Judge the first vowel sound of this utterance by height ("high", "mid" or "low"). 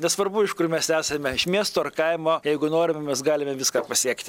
mid